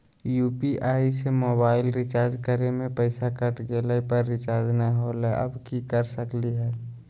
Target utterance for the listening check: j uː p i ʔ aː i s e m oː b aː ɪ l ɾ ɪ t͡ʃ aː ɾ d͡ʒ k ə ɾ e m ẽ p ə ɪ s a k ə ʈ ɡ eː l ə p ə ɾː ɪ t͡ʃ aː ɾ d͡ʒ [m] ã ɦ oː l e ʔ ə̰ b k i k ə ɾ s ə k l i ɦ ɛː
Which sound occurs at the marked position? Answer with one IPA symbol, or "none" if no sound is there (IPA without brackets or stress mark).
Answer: n